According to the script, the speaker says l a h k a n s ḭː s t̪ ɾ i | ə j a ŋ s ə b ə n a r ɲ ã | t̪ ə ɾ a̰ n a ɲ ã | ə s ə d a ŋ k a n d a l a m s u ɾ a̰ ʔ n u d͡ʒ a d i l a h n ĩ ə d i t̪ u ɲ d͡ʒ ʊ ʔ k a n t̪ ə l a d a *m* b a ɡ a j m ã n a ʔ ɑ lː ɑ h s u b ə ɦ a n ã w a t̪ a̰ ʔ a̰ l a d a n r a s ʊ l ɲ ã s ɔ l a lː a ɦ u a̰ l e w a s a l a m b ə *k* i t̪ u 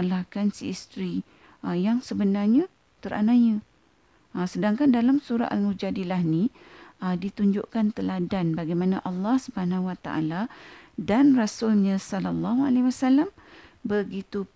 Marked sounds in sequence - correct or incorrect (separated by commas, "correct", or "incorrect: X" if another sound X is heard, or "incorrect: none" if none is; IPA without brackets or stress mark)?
incorrect: n, incorrect: ɡ